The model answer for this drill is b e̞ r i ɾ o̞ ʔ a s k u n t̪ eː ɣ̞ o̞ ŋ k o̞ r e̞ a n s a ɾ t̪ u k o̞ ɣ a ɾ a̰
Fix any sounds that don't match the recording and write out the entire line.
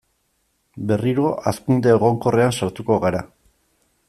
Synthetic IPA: b e̞ r i ɾ o̞ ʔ a s k u n d̪ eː ɣ̞ o̞ ŋ k o̞ r e̞ a n s a ɾ t̪ u k o̞ ɣ a ɾ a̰